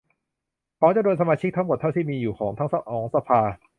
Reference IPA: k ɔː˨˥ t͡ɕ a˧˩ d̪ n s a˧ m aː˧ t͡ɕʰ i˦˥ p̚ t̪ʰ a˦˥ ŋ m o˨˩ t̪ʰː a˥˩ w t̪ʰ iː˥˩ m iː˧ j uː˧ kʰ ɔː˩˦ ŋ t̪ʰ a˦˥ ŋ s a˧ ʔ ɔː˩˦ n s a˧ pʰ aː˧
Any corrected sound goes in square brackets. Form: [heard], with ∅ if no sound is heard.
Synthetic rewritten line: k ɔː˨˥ t͡ɕ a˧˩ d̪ n s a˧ m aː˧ t͡ɕʰ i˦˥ [k̚] t̪ʰ a˦˥ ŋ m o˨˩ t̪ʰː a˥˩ w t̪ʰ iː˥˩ m iː˧ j [uː˨˩] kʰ ɔː˩˦ ŋ t̪ʰ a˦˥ ŋ s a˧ ʔ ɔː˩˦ [ŋ] s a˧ pʰ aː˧